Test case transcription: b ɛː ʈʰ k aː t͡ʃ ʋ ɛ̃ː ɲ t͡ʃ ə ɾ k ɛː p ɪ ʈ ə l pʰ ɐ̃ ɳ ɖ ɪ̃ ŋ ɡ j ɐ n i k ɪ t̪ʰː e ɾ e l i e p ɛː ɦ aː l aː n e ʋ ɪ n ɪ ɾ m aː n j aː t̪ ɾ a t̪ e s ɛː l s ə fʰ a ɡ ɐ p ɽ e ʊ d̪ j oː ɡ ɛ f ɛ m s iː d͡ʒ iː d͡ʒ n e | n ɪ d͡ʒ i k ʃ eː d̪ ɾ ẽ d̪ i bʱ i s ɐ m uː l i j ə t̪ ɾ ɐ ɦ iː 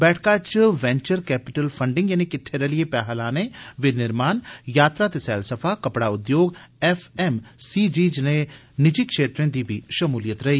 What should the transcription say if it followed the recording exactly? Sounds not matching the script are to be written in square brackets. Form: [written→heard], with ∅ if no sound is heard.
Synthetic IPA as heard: b ɛː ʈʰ k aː t͡ʃ ʋ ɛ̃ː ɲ t͡ʃ ə ɾ k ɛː p ɪ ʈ ə l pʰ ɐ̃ ɳ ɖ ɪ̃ ŋ ɡ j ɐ n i k ɪ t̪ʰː e ɾ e l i e p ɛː ɦ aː l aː n e ʋ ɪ n ɪ ɾ m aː n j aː t̪ ɾ a t̪ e s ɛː l s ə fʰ a [ɡ→k] ɐ p ɽ [e→a] ʊ d̪ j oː ɡ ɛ f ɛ m s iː d͡ʒ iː d͡ʒ n e | n ɪ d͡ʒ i k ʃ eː [d̪→t̪] ɾ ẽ d̪ i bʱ i [s→ʃ] ɐ m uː l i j ə t̪ ɾ ɐ ɦ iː